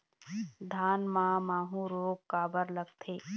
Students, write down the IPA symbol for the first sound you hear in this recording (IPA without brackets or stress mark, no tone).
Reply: d̪ʱ